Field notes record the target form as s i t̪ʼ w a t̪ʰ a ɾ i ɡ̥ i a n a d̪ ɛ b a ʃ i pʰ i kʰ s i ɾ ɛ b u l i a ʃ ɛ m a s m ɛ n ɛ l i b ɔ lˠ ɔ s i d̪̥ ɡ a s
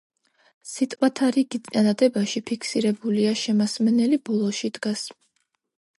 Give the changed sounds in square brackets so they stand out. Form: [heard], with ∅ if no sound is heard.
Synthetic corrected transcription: s i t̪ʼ w a t̪ʰ a ɾ i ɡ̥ i a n a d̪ ɛ b a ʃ i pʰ i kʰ s i ɾ ɛ b u l i a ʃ ɛ m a s m ɛ n ɛ l i b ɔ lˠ ɔ [ʃ] i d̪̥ ɡ a s

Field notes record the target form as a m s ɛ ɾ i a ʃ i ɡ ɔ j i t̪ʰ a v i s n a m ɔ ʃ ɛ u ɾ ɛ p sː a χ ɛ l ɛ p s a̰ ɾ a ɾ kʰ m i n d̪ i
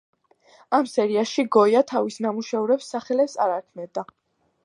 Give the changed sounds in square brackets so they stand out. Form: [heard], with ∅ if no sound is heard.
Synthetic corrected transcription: a m s ɛ ɾ i a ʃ i ɡ ɔ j [a] t̪ʰ a v i s n a m [u] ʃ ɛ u ɾ ɛ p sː a χ ɛ l ɛ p s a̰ ɾ a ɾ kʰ m [ɛ] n d̪ [a]

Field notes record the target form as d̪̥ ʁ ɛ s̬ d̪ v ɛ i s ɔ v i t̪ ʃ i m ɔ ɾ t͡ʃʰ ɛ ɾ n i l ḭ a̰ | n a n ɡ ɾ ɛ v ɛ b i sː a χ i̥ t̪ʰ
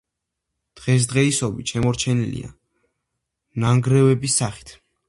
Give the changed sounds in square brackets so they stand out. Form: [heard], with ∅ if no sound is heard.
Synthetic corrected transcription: d̪̥ ʁ ɛ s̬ d̪ [ʁ] ɛ i s ɔ [b] i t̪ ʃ [ɛ] m ɔ ɾ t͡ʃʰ ɛ [∅] n i l ḭ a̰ | n a [ŋ] ɡ ɾ ɛ v ɛ b i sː a χ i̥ t̪ʰ

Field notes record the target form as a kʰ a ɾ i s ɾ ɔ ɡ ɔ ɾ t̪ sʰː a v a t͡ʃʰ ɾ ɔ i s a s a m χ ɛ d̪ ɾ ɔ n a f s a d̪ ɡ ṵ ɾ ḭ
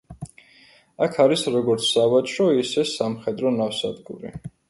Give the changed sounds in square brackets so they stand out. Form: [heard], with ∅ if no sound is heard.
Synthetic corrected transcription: a kʰ a ɾ i s ɾ ɔ ɡ ɔ ɾ t̪ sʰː a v a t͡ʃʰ ɾ ɔ i s [ɛ] s a m χ ɛ d̪ ɾ ɔ n a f s a d̪ ɡ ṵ ɾ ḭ

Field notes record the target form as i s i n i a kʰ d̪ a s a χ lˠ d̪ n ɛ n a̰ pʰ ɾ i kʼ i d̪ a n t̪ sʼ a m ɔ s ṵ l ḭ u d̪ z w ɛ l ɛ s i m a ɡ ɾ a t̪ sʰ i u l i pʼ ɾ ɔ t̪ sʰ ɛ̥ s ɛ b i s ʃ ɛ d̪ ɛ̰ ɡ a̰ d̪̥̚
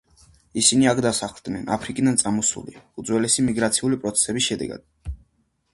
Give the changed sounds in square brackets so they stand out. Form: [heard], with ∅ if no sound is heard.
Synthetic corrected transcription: i s i n i a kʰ d̪ a s a χ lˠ d̪ n ɛ n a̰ pʰ ɾ i kʼ i d̪ a n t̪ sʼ a m ɔ s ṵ l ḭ u d̪ z w ɛ l ɛ s i m [i] ɡ ɾ a t̪ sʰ i u l i pʼ ɾ ɔ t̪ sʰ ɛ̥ s ɛ b i s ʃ ɛ d̪ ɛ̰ ɡ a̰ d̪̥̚

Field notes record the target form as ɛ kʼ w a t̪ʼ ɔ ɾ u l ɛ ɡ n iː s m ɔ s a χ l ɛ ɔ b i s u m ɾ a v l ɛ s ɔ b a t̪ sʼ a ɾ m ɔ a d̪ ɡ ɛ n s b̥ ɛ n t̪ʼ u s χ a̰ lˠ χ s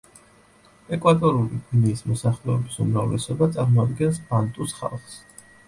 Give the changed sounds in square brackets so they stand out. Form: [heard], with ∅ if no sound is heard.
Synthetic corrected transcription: ɛ kʼ w a t̪ʼ ɔ ɾ u l [i] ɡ n iː s m ɔ s a χ l ɛ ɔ b i s u m ɾ a v l ɛ s ɔ b a t̪ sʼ a ɾ m ɔ a d̪ ɡ ɛ n s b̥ [a] n t̪ʼ u s χ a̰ lˠ χ s

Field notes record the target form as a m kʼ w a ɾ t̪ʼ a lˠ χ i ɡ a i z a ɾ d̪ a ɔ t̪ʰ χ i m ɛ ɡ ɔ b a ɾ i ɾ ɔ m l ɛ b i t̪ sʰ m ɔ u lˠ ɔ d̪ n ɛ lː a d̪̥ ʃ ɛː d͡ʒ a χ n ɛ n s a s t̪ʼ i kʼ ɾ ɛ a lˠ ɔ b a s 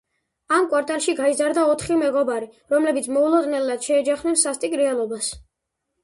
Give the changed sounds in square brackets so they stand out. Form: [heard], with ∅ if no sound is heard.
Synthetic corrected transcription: a m kʼ w a ɾ t̪ʼ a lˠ [ʃ] i ɡ a i z a ɾ d̪ a ɔ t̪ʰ χ i m ɛ ɡ ɔ b a ɾ i ɾ ɔ m l ɛ b i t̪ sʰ m ɔ u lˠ ɔ d̪ n ɛ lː a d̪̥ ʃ ɛː d͡ʒ a χ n ɛ n s a s t̪ʼ i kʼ ɾ ɛ a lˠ ɔ b a s

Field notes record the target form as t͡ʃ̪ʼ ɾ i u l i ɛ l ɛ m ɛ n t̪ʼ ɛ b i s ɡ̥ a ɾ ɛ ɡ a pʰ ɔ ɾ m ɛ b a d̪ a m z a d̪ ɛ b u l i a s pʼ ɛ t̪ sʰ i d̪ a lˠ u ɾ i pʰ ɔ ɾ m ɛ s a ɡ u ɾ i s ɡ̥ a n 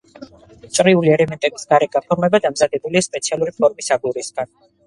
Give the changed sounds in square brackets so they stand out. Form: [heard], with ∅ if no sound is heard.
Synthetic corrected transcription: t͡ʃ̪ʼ ɾ i u l i ɛ l ɛ m ɛ n t̪ʼ ɛ b i s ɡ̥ a ɾ ɛ ɡ a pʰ ɔ ɾ m ɛ b a d̪ a m z a d̪ ɛ b u l i a s pʼ ɛ t̪ sʰ i [∅] a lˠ u ɾ i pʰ ɔ ɾ m [i] s a ɡ u ɾ i s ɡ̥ a n

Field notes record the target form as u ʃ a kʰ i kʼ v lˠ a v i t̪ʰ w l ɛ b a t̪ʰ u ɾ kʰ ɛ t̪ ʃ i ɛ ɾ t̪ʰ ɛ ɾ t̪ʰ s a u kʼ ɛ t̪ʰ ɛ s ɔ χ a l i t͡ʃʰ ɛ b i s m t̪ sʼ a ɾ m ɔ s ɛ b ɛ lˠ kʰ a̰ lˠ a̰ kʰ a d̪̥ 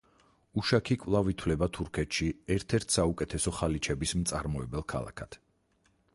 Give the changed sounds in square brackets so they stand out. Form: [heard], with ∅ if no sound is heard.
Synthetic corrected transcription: u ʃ a kʰ i kʼ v lˠ a v i t̪ʰ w l ɛ b a t̪ʰ u ɾ kʰ ɛ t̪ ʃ i ɛ ɾ t̪ʰ ɛ ɾ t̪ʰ s a u kʼ ɛ t̪ʰ ɛ s ɔ χ a l i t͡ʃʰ ɛ b i s m t̪ sʼ a ɾ m ɔ [∅] ɛ b ɛ lˠ kʰ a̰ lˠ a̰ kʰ a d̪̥

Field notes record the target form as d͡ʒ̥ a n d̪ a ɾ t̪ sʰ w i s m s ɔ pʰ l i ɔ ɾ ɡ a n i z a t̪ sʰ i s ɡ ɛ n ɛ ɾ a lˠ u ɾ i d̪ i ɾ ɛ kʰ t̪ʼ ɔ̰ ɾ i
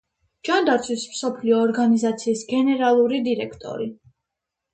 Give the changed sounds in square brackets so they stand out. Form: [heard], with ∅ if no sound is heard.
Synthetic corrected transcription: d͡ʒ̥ a n d̪ a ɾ t̪ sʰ w i s m s ɔ pʰ l i [ɔː] ɾ ɡ a n i z a t̪ sʰ [iː] s ɡ ɛ n ɛ ɾ a lˠ u ɾ i d̪ i ɾ ɛ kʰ t̪ʼ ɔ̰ ɾ i

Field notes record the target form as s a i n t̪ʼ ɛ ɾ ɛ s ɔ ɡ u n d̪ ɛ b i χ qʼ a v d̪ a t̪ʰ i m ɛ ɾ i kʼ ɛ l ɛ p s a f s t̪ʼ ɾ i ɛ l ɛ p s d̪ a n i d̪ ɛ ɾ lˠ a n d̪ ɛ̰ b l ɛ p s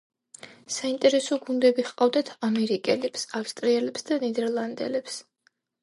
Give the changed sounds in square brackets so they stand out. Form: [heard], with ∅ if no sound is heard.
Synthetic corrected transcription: s a i n t̪ʼ ɛ ɾ ɛ s ɔ ɡ u n d̪ ɛ b i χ qʼ a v d̪ a t̪ʰ [a] m ɛ ɾ i kʼ ɛ l ɛ p s a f s t̪ʼ ɾ i ɛ l ɛ p s d̪ a n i d̪ ɛ ɾ lˠ a n d̪ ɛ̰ [∅] l ɛ p s

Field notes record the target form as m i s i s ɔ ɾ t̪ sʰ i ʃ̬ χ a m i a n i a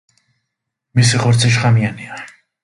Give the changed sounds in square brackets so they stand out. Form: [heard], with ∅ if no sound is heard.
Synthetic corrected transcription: m i s i [χ] ɔ ɾ t̪ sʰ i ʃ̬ χ a m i a n i a

